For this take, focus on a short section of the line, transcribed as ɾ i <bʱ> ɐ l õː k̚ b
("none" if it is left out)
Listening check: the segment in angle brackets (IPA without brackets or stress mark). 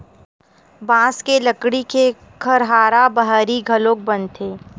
ɡʱ